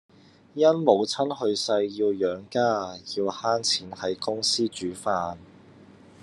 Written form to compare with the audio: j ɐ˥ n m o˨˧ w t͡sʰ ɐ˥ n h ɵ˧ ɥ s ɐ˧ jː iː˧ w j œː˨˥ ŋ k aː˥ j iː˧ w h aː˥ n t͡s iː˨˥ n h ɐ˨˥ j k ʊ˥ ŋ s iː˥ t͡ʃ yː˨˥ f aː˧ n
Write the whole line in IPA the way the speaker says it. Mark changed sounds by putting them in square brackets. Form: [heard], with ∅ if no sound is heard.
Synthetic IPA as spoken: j ɐ˥ n m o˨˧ w t͡sʰ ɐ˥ n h ɵ˧ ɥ s ɐ˧ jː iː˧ w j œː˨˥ ŋ k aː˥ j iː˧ w h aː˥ n [t͡sʰ] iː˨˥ n h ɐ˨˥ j k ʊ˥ ŋ s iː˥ t͡ʃ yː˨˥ f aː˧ n